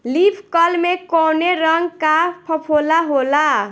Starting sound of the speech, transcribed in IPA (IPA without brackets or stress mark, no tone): l